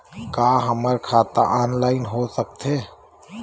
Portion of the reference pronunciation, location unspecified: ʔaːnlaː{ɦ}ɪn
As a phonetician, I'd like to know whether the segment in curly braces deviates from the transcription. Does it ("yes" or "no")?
yes